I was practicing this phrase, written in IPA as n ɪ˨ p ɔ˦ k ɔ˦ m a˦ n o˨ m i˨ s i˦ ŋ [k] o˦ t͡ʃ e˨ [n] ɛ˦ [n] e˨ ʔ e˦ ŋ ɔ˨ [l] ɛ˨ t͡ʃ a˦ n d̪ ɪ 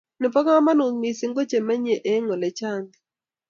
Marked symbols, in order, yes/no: no, no, no, yes

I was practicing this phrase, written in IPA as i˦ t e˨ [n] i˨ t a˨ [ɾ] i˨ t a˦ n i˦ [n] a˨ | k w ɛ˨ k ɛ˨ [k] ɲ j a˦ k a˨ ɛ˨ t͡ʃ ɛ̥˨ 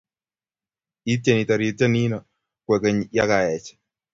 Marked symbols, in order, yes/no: yes, yes, yes, no

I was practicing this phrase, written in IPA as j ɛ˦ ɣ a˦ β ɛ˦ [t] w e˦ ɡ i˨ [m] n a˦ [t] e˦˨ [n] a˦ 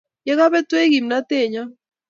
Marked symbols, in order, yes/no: yes, yes, yes, no

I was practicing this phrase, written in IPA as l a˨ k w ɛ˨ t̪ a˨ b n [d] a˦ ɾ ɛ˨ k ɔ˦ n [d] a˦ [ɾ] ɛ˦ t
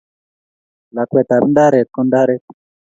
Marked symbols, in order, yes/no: yes, yes, yes

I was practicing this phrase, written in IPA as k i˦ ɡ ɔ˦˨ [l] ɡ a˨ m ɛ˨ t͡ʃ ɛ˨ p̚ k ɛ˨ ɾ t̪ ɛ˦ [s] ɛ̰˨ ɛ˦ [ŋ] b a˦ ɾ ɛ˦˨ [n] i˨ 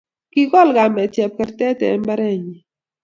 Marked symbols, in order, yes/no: yes, no, no, no

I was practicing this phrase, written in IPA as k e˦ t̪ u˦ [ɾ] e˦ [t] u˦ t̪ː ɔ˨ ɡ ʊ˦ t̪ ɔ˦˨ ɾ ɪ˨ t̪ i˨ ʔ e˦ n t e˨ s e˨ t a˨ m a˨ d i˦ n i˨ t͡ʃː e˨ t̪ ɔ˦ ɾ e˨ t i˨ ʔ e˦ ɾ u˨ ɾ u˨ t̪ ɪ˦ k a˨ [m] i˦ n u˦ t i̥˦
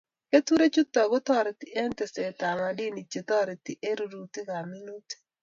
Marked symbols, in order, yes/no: yes, no, yes

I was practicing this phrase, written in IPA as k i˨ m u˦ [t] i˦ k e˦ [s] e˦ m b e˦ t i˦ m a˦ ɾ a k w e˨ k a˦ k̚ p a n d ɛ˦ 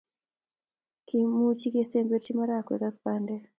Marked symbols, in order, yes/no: no, yes

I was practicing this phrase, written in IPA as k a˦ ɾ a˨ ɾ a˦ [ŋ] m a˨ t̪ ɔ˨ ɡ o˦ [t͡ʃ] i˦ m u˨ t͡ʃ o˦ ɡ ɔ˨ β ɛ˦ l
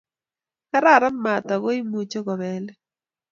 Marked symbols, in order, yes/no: no, no

